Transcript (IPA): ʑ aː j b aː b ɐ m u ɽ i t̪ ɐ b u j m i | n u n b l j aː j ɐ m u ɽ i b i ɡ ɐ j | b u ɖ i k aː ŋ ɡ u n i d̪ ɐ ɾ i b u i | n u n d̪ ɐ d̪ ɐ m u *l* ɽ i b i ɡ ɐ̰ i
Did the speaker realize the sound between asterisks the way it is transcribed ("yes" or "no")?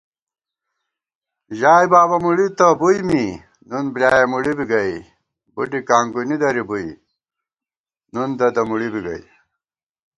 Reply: no